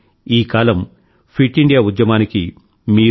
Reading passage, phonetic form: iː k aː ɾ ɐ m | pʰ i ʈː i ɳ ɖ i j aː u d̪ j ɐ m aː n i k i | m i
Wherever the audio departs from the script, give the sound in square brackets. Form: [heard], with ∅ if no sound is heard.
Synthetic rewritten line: iː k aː [l] ɐ m | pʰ i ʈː i ɳ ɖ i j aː u d̪ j ɐ m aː n i k i | m [iː]